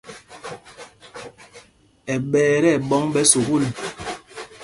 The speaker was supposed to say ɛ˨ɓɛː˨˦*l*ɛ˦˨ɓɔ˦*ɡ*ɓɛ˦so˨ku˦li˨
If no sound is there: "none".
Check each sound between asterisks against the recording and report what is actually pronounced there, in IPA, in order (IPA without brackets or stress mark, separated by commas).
ɾ, ŋ